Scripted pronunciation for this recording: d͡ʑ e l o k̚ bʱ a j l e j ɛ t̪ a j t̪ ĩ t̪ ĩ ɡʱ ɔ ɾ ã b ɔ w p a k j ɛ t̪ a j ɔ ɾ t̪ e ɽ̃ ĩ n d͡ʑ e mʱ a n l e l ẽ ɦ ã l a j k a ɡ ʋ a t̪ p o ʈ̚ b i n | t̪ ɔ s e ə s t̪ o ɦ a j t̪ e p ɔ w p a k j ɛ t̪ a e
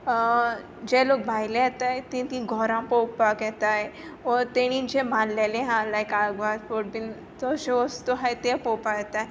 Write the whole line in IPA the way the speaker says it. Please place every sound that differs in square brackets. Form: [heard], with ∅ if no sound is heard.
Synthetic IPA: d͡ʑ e l o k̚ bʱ a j l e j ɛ t̪ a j t̪ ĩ t̪ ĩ ɡʱ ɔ ɾ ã [p] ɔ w p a k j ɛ t̪ a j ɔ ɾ t̪ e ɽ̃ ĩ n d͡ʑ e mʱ a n l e l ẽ ɦ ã l a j k a ɡ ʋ a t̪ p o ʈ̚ b i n | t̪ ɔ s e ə s t̪ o ɦ a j t̪ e p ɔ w p a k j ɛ t̪ a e